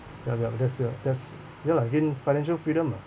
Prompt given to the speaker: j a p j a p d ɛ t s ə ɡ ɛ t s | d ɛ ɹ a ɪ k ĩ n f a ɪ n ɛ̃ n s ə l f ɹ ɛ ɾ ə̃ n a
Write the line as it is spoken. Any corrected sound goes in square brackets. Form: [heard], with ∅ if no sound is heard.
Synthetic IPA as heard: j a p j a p d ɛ t s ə [d] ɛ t s | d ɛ [l] a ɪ k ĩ n f a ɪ n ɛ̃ n [ʃ] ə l f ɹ [i] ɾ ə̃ [m] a